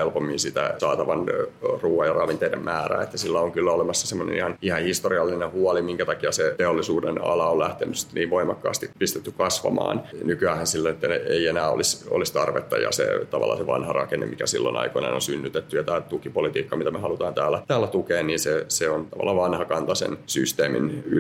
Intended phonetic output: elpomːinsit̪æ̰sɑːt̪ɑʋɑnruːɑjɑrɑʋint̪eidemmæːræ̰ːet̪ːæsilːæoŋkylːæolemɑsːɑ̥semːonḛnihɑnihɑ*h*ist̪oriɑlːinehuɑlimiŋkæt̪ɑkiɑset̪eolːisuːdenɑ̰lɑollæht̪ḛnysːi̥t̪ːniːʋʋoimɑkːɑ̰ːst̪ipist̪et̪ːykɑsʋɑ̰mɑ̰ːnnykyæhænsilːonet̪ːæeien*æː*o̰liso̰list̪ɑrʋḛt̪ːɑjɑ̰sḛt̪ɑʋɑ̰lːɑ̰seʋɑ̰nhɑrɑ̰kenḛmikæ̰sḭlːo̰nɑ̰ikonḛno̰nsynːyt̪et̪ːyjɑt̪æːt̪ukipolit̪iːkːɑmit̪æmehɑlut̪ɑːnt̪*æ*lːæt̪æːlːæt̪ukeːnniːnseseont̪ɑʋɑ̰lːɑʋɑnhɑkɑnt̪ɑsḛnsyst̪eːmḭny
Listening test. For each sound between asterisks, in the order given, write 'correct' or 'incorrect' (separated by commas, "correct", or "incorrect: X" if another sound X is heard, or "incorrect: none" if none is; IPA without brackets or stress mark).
correct, correct, incorrect: æː